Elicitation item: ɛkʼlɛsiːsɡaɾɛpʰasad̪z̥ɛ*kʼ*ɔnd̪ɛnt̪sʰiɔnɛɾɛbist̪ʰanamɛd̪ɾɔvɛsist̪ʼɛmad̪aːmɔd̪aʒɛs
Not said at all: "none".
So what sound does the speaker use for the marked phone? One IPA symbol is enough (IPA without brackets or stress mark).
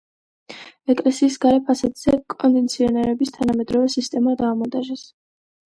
kʼ